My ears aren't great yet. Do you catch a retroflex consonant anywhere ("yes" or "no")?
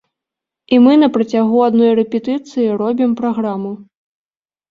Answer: no